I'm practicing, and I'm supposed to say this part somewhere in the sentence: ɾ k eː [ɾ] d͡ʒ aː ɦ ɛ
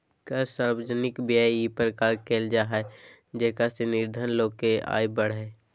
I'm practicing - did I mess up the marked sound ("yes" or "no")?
yes